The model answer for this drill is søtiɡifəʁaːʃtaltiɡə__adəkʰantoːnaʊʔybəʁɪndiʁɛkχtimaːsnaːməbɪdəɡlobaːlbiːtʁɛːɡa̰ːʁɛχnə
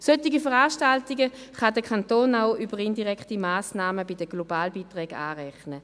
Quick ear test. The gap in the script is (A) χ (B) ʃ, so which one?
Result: A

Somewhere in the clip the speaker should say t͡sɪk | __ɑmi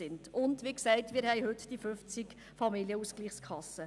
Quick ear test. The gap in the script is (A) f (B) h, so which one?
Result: A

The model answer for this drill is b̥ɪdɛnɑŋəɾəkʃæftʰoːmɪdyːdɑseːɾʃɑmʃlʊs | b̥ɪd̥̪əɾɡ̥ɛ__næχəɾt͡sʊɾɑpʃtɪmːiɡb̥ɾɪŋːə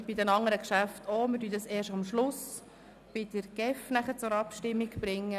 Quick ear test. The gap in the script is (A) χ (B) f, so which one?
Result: B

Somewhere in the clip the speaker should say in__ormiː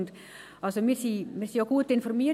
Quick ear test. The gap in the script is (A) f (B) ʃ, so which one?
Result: A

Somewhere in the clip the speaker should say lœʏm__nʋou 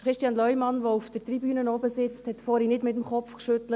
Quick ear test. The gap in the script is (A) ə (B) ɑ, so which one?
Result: B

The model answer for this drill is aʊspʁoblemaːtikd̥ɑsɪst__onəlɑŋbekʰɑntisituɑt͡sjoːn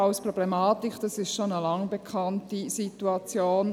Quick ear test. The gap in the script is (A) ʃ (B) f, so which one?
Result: A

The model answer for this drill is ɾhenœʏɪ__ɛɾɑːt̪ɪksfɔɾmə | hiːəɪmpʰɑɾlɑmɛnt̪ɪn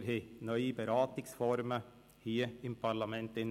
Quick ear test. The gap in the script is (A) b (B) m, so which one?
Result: A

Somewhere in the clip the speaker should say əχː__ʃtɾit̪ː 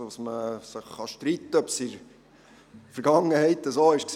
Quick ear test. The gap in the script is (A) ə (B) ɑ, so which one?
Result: B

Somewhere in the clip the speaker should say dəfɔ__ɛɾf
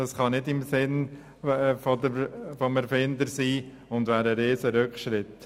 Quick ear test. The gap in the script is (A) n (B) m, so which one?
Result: B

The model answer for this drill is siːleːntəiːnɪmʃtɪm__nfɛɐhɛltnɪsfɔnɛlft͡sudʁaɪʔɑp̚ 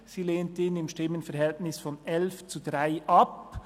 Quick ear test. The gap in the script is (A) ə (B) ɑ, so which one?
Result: A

